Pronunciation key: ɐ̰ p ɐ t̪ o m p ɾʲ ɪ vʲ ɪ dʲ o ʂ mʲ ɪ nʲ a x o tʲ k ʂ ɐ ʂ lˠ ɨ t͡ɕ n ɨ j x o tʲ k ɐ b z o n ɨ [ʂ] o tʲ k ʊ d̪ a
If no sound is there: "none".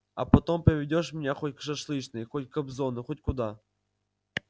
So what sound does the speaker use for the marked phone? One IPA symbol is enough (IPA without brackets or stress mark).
x